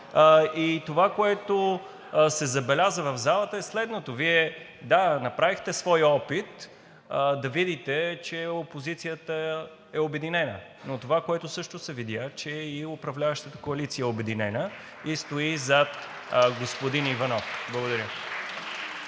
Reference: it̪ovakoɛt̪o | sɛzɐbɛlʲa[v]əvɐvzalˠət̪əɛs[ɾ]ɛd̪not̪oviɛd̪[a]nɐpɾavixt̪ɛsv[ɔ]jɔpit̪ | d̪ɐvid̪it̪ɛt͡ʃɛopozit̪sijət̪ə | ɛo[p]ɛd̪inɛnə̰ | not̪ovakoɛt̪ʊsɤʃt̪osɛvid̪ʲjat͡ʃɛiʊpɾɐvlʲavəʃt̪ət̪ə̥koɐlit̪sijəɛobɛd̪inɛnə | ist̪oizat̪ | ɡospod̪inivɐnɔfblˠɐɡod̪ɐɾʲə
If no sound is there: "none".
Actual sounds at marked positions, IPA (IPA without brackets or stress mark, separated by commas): z, l, a, ɔ, b